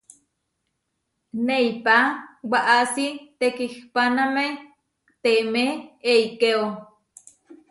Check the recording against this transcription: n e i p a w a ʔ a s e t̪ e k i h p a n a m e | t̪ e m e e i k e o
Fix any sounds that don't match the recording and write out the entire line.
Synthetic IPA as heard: n e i p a w a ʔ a s i t̪ e k i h p a n a m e | t̪ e m e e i k e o